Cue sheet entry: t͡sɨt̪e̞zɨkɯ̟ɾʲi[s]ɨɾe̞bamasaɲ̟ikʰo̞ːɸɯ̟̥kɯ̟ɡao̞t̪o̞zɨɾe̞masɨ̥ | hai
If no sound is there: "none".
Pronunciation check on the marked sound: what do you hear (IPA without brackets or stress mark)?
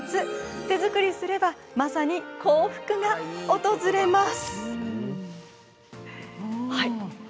s